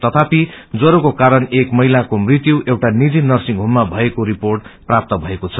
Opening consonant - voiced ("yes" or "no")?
no